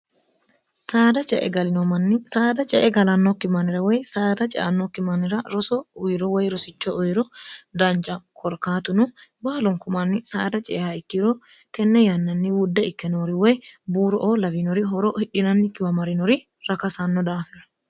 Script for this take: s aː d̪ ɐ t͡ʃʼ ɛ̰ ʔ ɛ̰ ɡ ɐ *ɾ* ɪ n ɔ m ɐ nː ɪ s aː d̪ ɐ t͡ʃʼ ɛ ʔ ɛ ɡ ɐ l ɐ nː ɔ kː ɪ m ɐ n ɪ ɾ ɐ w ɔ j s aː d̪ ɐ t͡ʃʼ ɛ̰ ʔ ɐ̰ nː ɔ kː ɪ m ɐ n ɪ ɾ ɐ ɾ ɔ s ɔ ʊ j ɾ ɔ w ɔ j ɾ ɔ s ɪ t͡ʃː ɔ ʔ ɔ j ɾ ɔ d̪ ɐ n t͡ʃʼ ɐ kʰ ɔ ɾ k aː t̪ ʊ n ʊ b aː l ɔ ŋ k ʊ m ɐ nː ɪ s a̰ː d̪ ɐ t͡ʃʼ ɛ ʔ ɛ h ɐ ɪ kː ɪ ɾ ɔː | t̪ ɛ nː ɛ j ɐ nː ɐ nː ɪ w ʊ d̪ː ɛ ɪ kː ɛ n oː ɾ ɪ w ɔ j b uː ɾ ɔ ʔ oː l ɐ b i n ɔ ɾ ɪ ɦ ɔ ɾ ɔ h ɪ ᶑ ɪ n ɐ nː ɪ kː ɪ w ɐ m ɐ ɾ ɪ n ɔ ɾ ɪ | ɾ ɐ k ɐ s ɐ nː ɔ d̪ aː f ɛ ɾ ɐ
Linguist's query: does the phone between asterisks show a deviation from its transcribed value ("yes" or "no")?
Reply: yes